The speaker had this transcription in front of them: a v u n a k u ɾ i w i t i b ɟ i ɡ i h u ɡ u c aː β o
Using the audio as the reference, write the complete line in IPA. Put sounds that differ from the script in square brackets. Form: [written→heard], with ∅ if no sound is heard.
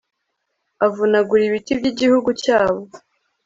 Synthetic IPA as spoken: a v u n a [k→ɡ] u ɾ i [w→β] i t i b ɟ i [ɡ→ɟ] i h u ɡ u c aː β o